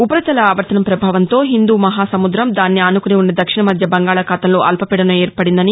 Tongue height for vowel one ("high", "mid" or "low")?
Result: high